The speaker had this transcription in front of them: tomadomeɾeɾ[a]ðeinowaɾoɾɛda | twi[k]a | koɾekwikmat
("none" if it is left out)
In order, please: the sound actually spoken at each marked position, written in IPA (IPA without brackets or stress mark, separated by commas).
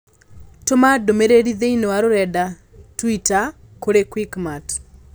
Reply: i, t